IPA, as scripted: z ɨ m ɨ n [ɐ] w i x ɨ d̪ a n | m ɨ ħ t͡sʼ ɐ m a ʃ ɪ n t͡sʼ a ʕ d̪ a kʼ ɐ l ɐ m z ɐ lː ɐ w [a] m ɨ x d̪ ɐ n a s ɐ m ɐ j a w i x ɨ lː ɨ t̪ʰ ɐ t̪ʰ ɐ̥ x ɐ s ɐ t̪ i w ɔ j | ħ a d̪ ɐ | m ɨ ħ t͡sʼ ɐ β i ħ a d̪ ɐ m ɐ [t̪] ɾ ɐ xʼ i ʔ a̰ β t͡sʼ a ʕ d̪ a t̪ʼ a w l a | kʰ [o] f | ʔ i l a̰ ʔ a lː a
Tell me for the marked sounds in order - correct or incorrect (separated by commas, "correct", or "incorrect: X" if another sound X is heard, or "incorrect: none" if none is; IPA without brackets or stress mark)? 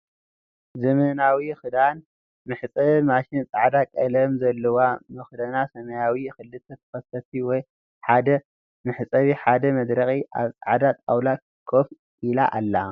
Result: incorrect: a, correct, incorrect: d̪, correct